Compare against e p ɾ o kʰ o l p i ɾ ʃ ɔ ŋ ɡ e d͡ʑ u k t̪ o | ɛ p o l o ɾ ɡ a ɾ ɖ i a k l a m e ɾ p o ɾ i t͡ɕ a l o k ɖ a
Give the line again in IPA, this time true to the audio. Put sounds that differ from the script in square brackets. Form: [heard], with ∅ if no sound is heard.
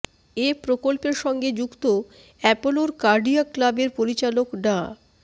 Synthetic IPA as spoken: e p ɾ o [k] o l p [e] ɾ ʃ ɔ ŋ ɡ e d͡ʑ u k t̪ o | ɛ p o l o ɾ [k] a ɾ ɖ i a k l a [b] e ɾ p o ɾ i t͡ɕ a l o k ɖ a